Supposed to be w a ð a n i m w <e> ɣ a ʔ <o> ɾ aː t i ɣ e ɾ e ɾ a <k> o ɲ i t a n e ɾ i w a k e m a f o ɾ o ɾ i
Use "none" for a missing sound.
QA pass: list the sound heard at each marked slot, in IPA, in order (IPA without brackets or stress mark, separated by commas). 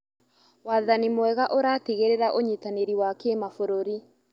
ɛ, o, ʔ